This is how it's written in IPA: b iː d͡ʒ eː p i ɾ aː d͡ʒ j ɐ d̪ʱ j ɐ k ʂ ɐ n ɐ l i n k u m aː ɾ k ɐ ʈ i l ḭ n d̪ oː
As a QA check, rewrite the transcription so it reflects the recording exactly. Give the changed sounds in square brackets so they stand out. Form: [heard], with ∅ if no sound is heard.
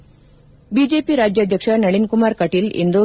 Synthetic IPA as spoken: b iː d͡ʒ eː p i ɾ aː d͡ʒ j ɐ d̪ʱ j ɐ k ʂ ɐ n ɐ [ɭ] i n k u m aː ɾ k ɐ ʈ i l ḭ n d̪ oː